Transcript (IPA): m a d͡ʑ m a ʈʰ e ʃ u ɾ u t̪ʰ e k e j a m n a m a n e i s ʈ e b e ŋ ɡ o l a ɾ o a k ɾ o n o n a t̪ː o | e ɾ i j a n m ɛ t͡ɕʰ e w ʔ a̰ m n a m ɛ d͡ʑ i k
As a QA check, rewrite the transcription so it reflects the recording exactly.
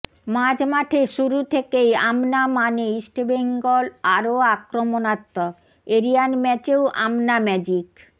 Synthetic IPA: m a d͡ʑ m a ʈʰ e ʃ u ɾ u t̪ʰ e k e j a m n a m a n e i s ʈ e b e ŋ ɡ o l a ɾ o a k ɾ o m o n a t̪ː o | e ɾ i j a n m ɛ t͡ɕ e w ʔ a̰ m n a m ɛ d͡ʑ i k